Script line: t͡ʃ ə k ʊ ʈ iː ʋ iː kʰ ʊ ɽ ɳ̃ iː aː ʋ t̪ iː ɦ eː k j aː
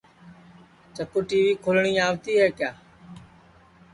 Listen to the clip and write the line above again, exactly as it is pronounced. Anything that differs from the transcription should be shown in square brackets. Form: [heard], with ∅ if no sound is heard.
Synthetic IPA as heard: t͡ʃ ə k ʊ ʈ iː ʋ iː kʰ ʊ [l] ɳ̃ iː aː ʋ t̪ iː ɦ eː k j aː